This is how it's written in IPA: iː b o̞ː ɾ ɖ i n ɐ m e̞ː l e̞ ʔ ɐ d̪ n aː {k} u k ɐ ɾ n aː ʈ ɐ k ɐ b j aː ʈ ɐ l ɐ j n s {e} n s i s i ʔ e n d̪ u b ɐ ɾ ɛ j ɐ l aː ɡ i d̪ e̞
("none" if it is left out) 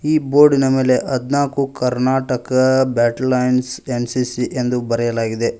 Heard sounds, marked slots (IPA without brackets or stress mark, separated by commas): k, e